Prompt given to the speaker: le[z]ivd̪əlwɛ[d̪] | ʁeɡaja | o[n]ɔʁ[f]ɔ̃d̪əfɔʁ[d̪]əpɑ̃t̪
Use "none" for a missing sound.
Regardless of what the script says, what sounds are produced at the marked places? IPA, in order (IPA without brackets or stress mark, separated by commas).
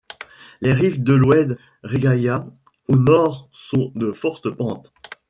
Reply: ʁ, d̪, n, s, t̪